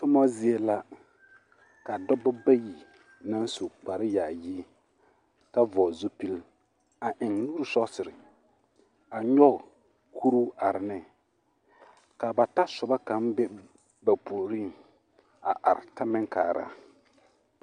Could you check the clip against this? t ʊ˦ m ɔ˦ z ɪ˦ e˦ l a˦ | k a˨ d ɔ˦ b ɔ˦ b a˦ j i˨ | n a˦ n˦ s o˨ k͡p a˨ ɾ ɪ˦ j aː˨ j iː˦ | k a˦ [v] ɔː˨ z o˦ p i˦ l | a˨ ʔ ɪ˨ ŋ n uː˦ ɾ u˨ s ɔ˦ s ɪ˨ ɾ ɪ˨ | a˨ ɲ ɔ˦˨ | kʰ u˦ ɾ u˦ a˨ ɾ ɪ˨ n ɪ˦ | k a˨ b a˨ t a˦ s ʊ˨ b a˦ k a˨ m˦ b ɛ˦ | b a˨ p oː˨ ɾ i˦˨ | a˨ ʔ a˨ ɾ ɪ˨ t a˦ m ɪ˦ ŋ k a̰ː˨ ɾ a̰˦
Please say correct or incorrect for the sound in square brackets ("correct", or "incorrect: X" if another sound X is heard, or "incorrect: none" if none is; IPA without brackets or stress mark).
correct